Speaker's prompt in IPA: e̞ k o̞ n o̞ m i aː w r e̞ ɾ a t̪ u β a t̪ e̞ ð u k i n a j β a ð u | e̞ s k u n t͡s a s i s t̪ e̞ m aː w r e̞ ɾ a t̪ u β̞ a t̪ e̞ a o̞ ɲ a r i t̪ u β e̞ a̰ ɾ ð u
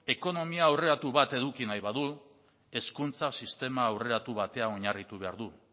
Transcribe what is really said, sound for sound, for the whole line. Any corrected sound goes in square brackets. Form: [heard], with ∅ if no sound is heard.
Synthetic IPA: e̞ k o̞ n o̞ m i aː w r e̞ ɾ a t̪ u β a t̪ e̞ ð u k i n a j β a ð u | e̞ s k u n t͡s a s i s t̪ e̞ m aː w r e̞ ɾ a t̪ u β̞ a t̪ e̞ a o̞ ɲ a r i t̪ u β e̞ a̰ ɾ ð u